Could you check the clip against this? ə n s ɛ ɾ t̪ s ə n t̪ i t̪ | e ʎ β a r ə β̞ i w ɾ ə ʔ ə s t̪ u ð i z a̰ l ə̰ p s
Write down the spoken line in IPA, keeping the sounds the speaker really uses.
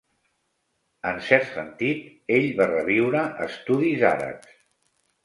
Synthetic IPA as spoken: ə n s ɛ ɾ t̪ s ə n t̪ i t̪ | e ʎ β a r ə β̞ i w ɾ ə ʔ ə s t̪ u ð i z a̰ ɾ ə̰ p s